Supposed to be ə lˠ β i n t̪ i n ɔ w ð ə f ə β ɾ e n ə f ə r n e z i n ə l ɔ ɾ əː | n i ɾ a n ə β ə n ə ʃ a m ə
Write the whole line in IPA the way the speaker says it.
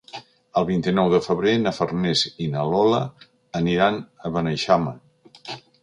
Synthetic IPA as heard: ə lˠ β i n t̪ i n ɔ w ð ə f ə β ɾ e n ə f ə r n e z i n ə l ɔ l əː | n i ɾ a n ə β ə n ə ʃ a m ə